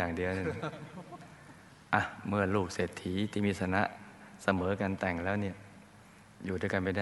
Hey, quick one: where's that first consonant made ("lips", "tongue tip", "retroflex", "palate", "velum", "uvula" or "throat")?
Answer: velum